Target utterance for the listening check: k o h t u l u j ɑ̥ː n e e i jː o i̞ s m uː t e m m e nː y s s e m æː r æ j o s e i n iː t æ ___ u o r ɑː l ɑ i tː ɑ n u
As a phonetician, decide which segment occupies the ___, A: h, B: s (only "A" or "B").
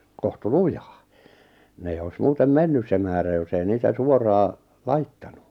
B